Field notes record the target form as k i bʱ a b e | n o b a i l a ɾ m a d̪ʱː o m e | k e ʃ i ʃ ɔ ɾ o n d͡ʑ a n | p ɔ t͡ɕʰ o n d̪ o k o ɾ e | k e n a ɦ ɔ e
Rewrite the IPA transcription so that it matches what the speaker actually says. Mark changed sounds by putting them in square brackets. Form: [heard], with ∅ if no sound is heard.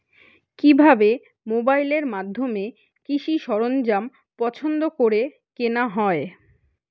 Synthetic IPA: k i bʱ a b e | [m] o b a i l [e] ɾ m a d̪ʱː o m e | k [i] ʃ i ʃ ɔ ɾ o n d͡ʑ a [m] | p ɔ t͡ɕʰ o n d̪ o k o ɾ e | k e n a ɦ ɔ e